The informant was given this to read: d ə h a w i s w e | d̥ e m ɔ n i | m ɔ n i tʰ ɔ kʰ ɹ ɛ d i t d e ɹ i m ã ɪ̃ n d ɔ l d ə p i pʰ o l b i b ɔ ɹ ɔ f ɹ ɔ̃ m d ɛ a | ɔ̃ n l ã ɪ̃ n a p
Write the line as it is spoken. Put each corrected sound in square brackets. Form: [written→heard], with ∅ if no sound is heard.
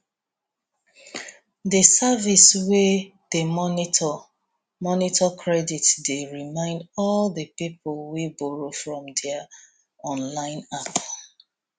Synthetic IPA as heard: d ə [h→s] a [w→v] i s w e | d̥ e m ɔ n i | m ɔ n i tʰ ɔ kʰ ɹ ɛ d i t d e ɹ i m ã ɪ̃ n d ɔ l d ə p i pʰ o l [b→w] i b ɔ ɹ [ɔ→o] f ɹ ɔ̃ m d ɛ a | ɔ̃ n l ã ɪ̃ n a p